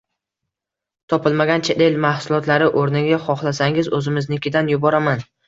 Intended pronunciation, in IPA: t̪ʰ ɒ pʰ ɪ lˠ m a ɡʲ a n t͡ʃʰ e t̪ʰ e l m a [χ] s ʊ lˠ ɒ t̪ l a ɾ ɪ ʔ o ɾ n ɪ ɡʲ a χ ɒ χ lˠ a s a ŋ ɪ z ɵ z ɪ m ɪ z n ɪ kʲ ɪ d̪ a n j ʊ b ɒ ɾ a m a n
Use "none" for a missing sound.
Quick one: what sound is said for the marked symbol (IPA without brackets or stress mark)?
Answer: h